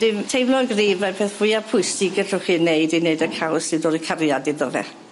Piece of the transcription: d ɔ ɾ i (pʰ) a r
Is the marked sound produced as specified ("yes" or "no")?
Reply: no